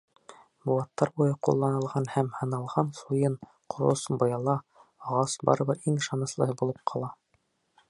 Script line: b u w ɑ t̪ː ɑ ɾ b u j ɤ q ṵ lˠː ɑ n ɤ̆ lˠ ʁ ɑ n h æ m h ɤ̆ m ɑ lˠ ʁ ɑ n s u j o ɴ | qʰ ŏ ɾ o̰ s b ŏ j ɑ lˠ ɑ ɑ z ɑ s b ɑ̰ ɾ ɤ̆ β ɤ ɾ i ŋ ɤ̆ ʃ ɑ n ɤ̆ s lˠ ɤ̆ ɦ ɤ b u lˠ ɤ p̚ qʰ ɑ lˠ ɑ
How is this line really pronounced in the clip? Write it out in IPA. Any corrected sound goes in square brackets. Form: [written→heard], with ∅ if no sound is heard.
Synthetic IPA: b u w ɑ t̪ː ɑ ɾ b u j ɤ q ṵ lˠː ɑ n ɤ̆ lˠ ʁ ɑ n h æ m h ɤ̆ [m→n] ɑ lˠ ʁ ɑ n s u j [o→ɤ] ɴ | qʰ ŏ ɾ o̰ s b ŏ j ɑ lˠ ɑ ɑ [z→ʁ] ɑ s b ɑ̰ ɾ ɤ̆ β ɤ ɾ i ŋ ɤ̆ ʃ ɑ n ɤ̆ s lˠ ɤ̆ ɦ ɤ b u lˠ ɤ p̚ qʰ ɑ lˠ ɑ